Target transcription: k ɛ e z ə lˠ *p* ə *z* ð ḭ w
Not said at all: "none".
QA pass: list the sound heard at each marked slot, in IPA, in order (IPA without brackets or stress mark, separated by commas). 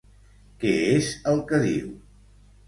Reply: k, none